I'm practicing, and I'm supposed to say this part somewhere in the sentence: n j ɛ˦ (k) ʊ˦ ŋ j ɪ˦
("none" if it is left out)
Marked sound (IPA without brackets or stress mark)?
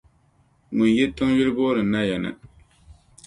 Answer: t